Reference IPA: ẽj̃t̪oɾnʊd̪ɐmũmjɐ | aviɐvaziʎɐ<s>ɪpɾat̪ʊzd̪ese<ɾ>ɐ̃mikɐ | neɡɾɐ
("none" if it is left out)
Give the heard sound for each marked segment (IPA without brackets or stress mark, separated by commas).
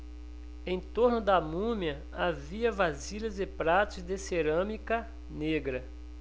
z, ɾ